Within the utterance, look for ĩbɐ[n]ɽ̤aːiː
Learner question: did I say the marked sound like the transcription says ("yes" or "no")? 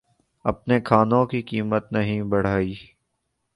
no